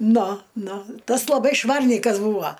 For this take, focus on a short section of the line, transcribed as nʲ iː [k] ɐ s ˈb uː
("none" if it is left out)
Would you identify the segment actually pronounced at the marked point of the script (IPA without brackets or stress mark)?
k